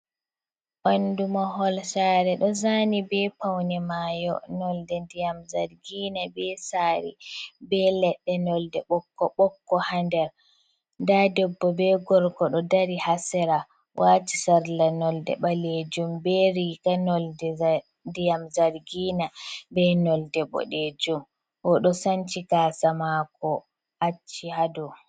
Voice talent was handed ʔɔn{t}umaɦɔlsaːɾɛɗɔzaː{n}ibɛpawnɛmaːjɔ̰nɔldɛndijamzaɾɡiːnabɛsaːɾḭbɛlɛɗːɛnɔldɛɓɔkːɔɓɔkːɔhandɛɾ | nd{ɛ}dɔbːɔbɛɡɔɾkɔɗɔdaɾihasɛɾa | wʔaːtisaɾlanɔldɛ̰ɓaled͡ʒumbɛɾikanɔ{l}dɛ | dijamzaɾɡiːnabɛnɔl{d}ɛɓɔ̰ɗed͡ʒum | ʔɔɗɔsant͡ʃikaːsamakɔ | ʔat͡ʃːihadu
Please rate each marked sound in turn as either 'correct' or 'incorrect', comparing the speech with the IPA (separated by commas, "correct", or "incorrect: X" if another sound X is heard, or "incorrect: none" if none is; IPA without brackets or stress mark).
incorrect: d, correct, incorrect: a, correct, correct